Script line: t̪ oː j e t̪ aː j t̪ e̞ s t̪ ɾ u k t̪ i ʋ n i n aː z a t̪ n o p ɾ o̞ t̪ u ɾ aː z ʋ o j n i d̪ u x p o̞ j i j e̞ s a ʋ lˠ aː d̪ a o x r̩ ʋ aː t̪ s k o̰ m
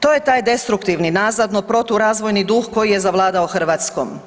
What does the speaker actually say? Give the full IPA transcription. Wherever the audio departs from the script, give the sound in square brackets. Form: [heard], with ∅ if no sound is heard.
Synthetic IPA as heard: t̪ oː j e t̪ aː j [d̪] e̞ s t̪ ɾ u k t̪ i ʋ n i n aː z a [d̪] n o p ɾ o̞ t̪ u ɾ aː z ʋ o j n i d̪ u x [k] o̞ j i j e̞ [z] a ʋ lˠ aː d̪ a o x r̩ ʋ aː t̪ s k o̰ m